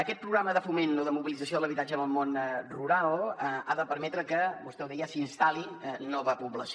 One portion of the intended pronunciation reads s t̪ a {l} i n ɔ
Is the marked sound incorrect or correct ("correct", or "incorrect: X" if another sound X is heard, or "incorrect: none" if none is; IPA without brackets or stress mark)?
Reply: correct